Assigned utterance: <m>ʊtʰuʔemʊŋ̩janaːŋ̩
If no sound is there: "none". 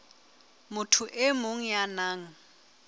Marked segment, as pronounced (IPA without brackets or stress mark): m